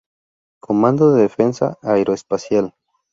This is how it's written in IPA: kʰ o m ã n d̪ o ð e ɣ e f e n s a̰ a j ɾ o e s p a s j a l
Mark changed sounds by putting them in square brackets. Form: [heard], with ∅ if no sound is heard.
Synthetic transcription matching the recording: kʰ o m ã n d̪ o ð e [ð] e f e n s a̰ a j ɾ o e s p a s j a l

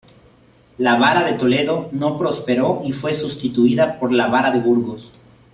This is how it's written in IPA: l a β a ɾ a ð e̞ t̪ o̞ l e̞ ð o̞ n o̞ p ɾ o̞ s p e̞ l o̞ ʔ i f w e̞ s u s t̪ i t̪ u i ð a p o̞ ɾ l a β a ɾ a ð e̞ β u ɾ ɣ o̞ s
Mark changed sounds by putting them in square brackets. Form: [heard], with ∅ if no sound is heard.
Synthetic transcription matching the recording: l a β a ɾ a ð e̞ t̪ o̞ l e̞ ð o̞ n o̞ p ɾ o̞ s p e̞ [ɾ] o̞ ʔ i f w e̞ s u s t̪ i t̪ u i ð a p o̞ ɾ l a β a ɾ a ð e̞ β u ɾ ɣ o̞ s

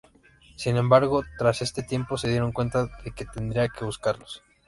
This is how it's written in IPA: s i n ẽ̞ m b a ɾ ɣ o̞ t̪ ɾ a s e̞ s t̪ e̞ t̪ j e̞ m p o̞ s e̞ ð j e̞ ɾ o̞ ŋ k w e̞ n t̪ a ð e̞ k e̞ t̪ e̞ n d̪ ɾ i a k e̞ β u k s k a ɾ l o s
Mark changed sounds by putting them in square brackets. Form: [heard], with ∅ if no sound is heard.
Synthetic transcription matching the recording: s i n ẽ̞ m b a ɾ ɣ o̞ t̪ ɾ a s e̞ s t̪ e̞ t̪ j e̞ m p o̞ s e̞ ð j e̞ ɾ o̞ ŋ k w e̞ n t̪ a ð e̞ k e̞ t̪ e̞ n d̪ ɾ i a k e̞ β u [∅] s k a ɾ l o s

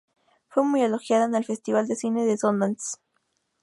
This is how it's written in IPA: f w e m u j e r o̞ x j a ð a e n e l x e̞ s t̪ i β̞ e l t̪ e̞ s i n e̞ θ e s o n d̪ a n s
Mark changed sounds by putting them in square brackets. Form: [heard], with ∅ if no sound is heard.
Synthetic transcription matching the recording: f w e m u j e [l] o̞ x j a ð a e n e l [f] e̞ s t̪ i β̞ [a] l [d̪] e̞ s i n e̞ [ð] e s o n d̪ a n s

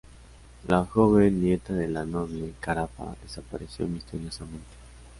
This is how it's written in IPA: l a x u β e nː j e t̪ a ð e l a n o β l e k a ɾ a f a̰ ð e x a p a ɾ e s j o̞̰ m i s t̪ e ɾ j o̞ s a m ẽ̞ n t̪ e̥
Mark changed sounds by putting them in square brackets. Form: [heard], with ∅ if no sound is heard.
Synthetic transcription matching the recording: l a x [o] β e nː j e t̪ a ð e l a n o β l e k a ɾ a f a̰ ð e [s] a p a ɾ e s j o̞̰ m i s t̪ e ɾ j o̞ s a m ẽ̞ n t̪ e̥

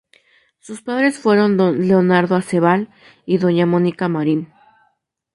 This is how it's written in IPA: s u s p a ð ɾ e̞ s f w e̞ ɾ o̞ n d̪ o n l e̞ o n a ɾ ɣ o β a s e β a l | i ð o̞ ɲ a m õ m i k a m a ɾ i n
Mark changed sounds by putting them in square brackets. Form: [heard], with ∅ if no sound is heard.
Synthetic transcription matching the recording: s u s p a ð ɾ e̞ s f w e̞ ɾ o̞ n d̪ o n l e̞ o n a ɾ [ð] o [∅] a s e β a l | i ð o̞ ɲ a m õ [n] i k a m a ɾ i n

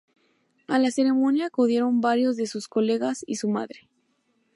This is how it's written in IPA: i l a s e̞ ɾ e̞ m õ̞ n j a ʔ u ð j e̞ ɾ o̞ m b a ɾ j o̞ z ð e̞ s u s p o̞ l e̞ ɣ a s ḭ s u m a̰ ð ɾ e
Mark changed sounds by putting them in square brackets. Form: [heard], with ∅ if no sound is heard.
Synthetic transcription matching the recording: [a] l a s e̞ ɾ e̞ m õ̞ n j a [k] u ð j e̞ ɾ o̞ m b a ɾ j o̞ z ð e̞ s u s [k] o̞ l e̞ ɣ a s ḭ s u m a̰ ð ɾ e

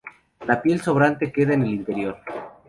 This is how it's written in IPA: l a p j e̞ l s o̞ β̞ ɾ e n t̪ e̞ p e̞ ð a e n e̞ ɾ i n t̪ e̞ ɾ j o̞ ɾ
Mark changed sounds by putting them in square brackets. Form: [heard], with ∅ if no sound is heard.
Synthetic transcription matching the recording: l a p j e̞ l s o̞ β̞ ɾ [a] n t̪ e̞ [k] e̞ ð a e n e̞ [l] i n t̪ e̞ ɾ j o̞ ɾ

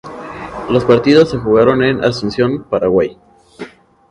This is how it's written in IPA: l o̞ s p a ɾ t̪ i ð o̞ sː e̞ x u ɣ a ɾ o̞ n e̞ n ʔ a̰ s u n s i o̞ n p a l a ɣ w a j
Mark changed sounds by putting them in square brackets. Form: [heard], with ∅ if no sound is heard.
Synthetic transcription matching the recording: l o̞ s p a ɾ t̪ i ð o̞ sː e̞ x u ɣ a ɾ o̞ n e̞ n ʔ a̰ s u n s [j] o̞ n p a [ɾ] a ɣ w a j

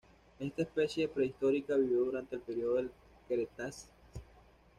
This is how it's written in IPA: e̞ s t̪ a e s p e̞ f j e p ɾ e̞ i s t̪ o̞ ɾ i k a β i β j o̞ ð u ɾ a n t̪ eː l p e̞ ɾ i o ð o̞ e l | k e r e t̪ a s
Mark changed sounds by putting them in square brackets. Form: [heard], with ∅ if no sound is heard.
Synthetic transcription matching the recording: e̞ s t̪ a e s p e̞ [s] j e p ɾ e̞ i s t̪ o̞ ɾ i k a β i β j o̞ ð u ɾ a n t̪ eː l p e̞ ɾ i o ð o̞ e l | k e [ɾ] e t̪ a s

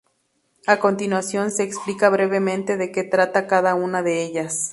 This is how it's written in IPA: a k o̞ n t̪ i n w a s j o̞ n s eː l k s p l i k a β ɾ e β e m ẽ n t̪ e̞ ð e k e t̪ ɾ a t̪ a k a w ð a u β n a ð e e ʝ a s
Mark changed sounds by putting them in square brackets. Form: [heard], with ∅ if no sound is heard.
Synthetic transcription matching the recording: a k o̞ n t̪ i n w a s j o̞ n s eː [∅] k s p l i k a β ɾ e β e m ẽ n t̪ e̞ ð e k e t̪ ɾ a t̪ a k a [∅] ð a u [∅] n a ð e e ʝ a s

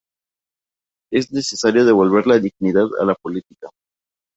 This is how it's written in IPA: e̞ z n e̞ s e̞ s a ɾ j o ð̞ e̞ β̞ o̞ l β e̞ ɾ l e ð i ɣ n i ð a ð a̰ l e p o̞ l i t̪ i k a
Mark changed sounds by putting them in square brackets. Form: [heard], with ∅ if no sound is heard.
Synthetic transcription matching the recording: e̞ z n e̞ s e̞ s a ɾ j o ð̞ e̞ β̞ o̞ l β e̞ ɾ l [a] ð i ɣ n i ð a ð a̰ l [a] p o̞ l i t̪ i k a

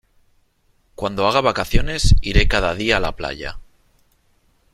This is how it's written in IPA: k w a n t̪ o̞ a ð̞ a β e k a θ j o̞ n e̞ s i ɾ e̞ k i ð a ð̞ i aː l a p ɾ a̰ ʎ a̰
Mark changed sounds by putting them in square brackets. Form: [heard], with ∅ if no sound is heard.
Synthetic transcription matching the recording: k w a n [d̪] o̞ a [ɣ̞] a β [a] k a θ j o̞ n e̞ s i ɾ e̞ k [a] ð a ð̞ i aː l a p [l] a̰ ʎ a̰

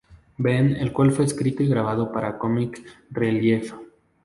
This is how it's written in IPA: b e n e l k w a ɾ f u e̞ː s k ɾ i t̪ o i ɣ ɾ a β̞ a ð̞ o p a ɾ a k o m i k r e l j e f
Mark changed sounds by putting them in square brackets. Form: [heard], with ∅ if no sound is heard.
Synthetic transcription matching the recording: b e n e l k w a [l] f [w] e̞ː s k ɾ i t̪ o i ɣ ɾ a β̞ a ð̞ o p a ɾ a k o m i k r e l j e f

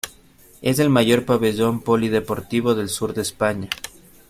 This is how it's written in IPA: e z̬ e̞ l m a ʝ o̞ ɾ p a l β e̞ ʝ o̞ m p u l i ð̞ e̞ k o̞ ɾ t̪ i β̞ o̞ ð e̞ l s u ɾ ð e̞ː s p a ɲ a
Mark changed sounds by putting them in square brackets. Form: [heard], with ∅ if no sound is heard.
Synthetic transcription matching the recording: e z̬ e̞ l m a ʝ o̞ ɾ p a [∅] β e̞ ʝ o̞ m p [o] l i ð̞ e̞ [p] o̞ ɾ t̪ i β̞ o̞ ð e̞ l s u ɾ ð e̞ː s p a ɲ a

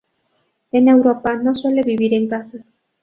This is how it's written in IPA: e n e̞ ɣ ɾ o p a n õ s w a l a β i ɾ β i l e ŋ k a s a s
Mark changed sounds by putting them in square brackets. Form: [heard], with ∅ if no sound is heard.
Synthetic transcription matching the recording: e n e̞ [w] ɾ o p a n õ s w [e] l [e] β i [∅] β i [ɾ] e ŋ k a s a s

